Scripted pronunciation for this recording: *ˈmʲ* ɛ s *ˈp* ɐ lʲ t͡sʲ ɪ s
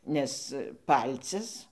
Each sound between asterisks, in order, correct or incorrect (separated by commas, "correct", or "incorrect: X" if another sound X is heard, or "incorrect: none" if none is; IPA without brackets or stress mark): incorrect: nʲ, correct